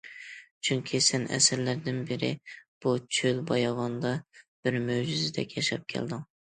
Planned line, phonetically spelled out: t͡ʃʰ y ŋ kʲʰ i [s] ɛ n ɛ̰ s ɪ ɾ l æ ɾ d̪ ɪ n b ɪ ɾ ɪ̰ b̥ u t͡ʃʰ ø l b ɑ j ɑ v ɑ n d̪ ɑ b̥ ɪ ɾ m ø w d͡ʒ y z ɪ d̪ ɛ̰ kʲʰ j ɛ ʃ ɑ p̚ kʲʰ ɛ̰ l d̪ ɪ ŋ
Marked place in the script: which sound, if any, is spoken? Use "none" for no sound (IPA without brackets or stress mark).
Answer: s